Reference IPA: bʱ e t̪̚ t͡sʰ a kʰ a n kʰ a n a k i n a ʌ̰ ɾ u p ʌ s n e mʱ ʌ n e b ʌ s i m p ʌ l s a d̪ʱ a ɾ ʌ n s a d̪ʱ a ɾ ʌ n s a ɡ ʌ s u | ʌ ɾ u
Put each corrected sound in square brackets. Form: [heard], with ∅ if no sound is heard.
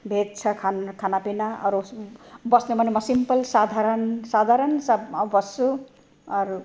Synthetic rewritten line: bʱ e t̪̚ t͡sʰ [ʌ] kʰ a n kʰ a n a [p] i n a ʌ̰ ɾ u [b] ʌ s n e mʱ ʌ n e [m] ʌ s i m p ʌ l s a d̪ʱ a ɾ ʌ n s a d̪ʱ a ɾ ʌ n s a [b] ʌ s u | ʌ ɾ u